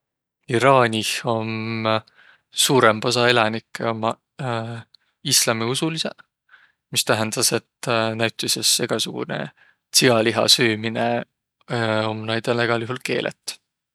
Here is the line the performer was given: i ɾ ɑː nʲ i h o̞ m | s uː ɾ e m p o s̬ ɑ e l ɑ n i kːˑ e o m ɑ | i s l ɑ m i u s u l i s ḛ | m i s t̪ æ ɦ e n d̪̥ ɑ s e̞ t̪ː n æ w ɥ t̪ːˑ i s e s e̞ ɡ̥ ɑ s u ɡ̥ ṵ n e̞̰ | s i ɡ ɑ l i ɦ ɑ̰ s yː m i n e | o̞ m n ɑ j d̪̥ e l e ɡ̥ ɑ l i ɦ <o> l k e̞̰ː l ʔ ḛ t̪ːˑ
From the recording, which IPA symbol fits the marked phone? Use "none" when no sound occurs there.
u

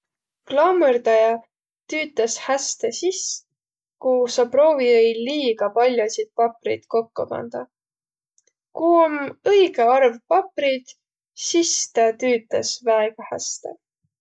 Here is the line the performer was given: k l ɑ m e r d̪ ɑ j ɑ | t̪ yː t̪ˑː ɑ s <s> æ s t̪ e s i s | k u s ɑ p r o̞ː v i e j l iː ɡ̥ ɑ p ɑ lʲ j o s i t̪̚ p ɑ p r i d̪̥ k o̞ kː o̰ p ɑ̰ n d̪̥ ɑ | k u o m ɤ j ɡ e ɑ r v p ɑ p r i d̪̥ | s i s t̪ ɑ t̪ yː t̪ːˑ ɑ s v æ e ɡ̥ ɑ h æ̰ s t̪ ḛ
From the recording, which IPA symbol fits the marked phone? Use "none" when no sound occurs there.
h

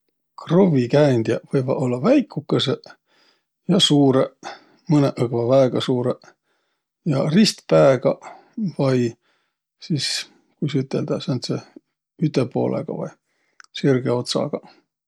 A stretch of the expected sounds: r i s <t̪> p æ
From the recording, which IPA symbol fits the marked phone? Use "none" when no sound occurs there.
t̪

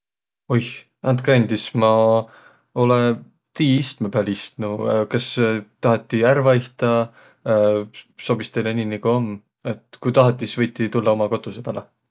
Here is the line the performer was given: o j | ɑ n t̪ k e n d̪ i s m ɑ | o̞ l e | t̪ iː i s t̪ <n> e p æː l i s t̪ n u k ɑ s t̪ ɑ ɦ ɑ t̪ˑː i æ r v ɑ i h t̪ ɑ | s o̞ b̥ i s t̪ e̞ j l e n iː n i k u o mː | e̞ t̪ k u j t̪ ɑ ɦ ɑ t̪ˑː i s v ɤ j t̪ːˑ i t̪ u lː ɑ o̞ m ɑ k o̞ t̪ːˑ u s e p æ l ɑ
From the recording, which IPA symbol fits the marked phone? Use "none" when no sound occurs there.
m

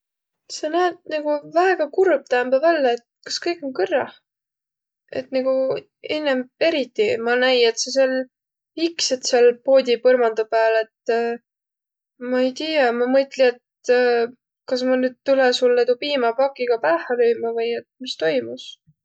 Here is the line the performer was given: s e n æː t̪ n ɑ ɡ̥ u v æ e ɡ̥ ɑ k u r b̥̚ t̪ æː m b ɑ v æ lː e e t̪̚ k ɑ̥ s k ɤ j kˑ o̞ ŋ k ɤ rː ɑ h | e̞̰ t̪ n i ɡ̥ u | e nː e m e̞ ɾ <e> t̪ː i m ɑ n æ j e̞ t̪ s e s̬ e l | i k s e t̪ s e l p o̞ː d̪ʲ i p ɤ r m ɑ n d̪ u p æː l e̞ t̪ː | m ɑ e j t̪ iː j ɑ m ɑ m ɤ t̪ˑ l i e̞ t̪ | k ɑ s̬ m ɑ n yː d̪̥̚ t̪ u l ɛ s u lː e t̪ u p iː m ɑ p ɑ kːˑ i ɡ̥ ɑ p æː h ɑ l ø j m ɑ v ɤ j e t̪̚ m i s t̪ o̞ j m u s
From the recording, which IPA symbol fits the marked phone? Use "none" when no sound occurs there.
i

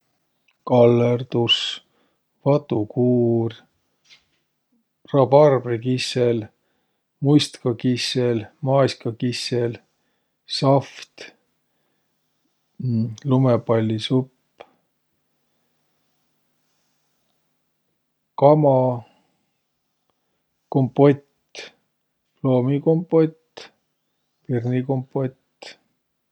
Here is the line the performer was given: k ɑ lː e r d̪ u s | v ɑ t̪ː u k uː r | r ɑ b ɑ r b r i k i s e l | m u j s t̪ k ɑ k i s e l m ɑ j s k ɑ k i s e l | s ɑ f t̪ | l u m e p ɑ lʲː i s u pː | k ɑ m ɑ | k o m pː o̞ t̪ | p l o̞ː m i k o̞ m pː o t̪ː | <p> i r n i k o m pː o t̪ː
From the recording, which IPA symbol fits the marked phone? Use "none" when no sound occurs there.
p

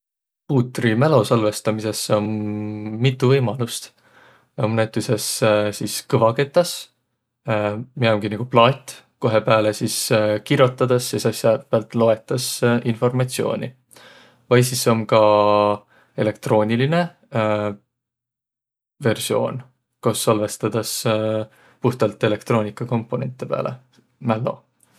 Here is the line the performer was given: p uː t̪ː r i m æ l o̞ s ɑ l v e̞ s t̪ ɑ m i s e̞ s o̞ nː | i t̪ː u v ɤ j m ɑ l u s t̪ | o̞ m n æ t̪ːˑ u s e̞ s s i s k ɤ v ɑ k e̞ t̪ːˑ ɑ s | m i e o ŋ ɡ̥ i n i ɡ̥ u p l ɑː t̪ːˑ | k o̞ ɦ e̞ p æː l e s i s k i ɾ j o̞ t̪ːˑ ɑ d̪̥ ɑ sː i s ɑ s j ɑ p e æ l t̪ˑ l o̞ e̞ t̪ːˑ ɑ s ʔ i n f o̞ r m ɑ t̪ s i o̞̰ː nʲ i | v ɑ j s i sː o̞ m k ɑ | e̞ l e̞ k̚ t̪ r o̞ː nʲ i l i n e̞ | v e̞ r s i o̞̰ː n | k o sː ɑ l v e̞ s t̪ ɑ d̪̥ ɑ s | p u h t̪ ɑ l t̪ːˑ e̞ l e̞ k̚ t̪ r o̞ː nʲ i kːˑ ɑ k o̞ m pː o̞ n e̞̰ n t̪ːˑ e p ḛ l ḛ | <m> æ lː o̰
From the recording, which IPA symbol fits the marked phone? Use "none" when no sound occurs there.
m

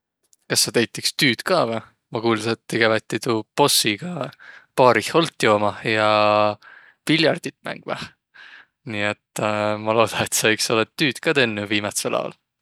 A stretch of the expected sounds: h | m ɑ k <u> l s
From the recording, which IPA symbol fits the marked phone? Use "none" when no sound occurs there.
uː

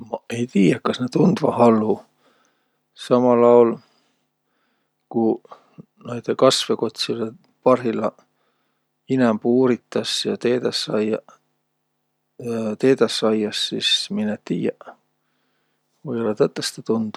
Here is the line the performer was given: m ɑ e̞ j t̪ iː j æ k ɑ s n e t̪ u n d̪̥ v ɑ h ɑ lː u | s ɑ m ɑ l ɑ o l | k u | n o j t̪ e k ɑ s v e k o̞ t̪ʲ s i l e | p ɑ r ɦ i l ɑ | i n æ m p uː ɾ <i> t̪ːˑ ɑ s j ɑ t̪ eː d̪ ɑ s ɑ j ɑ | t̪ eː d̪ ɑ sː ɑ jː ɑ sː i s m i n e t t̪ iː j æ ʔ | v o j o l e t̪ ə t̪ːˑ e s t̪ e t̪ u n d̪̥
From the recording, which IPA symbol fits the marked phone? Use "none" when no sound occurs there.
i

